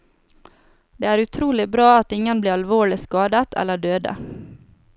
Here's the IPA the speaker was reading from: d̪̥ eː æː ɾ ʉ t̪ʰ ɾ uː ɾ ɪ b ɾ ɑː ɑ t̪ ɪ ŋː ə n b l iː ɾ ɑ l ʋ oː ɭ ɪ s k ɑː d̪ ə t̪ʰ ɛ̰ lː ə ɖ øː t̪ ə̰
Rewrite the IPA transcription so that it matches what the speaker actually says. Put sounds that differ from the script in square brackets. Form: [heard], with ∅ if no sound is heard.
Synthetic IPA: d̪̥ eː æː ɾ ʉ t̪ʰ ɾ uː [l] ɪ b ɾ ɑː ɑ t̪ ɪ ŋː ə n b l iː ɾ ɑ l ʋ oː ɭ ɪ s k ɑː d̪ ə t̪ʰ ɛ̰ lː ə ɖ øː [d̪] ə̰

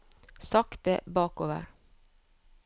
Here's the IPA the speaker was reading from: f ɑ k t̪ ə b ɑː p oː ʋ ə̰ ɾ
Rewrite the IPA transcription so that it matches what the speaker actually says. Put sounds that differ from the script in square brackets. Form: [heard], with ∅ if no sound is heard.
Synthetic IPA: [s] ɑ k t̪ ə b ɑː [k] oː ʋ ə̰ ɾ

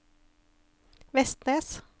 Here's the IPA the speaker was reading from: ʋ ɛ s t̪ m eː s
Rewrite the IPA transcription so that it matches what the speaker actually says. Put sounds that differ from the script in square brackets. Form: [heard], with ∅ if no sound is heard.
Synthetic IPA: ʋ ɛ s t̪ [n] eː s

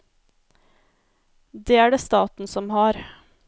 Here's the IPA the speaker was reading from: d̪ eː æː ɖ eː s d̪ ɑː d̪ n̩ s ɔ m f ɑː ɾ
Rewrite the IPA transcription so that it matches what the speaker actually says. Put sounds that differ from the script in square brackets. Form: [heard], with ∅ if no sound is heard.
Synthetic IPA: d̪ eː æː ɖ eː s [t̪] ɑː [t̪] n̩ s ɔ m [h] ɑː ɾ

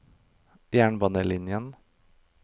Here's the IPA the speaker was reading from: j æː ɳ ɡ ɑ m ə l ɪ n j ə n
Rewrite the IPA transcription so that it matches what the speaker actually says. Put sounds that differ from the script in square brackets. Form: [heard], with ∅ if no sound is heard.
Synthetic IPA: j æː ɳ [b] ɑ [n] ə l ɪ n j ə n

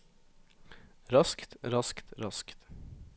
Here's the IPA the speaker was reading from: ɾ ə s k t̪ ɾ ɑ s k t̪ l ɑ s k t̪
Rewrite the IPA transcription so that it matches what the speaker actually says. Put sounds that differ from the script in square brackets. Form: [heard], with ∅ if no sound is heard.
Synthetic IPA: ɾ [ɑ] s k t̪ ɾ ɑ s k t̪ [ɾ] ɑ s k t̪

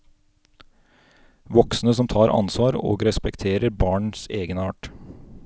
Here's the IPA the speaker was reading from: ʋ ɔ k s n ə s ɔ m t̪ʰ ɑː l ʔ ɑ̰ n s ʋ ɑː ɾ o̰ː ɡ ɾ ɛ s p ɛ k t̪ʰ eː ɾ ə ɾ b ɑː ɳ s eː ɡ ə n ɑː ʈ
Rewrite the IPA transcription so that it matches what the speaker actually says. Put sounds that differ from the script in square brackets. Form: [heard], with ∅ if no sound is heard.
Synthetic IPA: ʋ ɔ k s n ə s ɔ m t̪ʰ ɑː [ɾ] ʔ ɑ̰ n s ʋ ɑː ɾ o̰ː ɡ ɾ ɛ s p ɛ k t̪ʰ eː ɾ ə ɾ b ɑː ɳ s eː ɡ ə n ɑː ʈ

